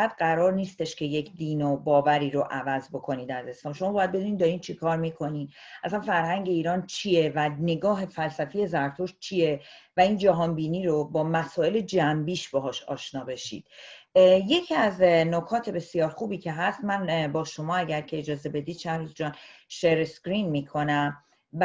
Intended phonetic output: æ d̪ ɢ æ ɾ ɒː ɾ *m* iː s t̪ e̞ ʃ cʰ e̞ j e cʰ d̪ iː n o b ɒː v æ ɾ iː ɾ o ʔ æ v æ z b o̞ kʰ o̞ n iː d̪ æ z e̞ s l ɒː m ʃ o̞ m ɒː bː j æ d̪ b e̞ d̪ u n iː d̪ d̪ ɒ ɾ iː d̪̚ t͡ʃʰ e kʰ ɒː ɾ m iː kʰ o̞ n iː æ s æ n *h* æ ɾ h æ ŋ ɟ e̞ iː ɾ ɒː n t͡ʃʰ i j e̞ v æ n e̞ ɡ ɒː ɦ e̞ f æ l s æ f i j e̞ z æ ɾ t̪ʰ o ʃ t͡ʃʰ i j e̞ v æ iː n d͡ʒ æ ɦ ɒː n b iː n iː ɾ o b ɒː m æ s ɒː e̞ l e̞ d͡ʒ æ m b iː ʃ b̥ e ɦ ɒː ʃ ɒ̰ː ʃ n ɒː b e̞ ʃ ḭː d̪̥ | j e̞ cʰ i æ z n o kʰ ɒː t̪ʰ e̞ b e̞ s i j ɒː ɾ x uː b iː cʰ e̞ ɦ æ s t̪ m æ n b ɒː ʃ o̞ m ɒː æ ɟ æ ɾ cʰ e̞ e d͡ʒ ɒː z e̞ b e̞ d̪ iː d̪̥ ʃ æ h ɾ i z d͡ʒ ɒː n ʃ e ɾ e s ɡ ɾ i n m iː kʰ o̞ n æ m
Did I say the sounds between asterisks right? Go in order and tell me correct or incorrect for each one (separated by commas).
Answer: incorrect, incorrect